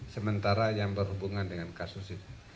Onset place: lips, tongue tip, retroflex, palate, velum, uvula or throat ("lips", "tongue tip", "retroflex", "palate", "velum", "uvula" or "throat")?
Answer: tongue tip